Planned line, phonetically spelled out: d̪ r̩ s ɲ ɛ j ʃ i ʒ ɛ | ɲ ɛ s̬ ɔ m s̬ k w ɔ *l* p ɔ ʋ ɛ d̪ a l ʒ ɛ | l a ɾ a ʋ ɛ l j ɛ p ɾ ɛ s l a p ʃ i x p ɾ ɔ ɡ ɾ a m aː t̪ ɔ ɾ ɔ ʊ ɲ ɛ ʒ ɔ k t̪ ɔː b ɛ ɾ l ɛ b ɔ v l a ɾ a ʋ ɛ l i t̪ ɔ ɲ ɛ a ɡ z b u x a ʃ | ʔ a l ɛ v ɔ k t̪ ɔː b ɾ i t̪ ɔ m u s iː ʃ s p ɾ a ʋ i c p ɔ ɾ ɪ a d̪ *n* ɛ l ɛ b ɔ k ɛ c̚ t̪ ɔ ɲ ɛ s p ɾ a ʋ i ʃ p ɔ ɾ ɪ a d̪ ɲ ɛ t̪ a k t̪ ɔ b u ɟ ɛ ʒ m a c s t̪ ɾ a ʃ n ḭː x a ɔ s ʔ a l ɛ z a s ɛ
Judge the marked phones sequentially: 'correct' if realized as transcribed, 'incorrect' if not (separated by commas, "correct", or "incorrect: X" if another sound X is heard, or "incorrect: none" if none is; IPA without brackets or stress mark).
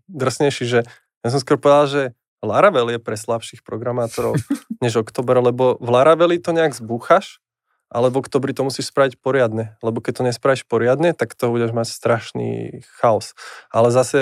incorrect: ɾ, incorrect: ɲ